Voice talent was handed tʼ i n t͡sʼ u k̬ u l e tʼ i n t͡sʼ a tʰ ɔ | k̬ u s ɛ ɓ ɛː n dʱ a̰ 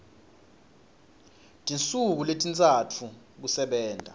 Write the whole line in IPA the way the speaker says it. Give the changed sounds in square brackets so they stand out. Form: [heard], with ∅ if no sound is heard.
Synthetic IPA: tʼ i n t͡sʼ u k̬ u l e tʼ i n t͡sʼ a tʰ [u] | k̬ u s ɛ ɓ ɛː n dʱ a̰